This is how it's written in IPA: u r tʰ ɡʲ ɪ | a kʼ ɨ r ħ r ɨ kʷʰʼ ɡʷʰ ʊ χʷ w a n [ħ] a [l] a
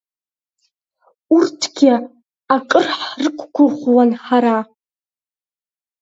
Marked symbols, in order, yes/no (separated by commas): yes, no